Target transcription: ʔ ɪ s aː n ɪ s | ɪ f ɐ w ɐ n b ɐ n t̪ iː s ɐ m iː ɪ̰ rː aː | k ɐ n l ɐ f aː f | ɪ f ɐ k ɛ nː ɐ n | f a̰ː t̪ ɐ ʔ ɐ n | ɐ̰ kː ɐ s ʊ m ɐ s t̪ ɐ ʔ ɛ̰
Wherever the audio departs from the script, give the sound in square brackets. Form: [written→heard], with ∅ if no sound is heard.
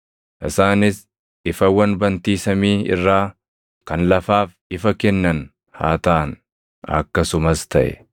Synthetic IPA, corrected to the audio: ʔ ɪ s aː n ɪ s | ɪ f ɐ w ɐ n b ɐ n t̪ iː s ɐ m iː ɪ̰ rː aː | k ɐ n l ɐ f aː f | ɪ f ɐ k ɛ nː ɐ n | [f→h] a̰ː t̪ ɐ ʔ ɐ n | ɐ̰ kː ɐ s ʊ m ɐ s t̪ ɐ ʔ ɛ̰